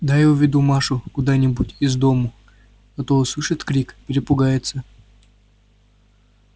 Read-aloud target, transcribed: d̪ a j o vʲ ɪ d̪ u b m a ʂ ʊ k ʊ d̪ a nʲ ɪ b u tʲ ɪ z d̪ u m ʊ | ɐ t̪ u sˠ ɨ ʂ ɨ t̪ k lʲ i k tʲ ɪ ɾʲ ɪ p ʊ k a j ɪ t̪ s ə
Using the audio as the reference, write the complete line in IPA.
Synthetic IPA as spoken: d̪ a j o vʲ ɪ d̪ u m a ʂ ʊ k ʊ d̪ a nʲ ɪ b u tʲ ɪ z d̪ o m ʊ | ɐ t̪ o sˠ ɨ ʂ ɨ t̪ k ɾʲ i k pʲ ɪ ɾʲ ɪ p ʊ ɡ a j ɪ t̪ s ə